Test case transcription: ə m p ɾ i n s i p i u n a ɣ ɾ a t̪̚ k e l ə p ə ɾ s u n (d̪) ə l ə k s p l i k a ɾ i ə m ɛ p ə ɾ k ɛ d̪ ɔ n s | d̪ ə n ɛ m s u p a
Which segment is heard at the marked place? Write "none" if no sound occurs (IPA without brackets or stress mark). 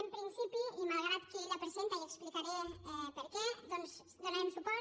t̪